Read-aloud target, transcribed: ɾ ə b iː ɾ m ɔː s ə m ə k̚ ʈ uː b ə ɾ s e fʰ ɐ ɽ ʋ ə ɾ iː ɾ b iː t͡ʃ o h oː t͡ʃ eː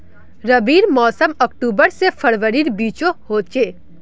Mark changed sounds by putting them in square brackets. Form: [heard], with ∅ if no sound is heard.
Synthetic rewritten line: ɾ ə b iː ɾ m ɔː s ə m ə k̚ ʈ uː b ə ɾ s e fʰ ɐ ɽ ʋ ə ɾ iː ɾ b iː t͡ʃ o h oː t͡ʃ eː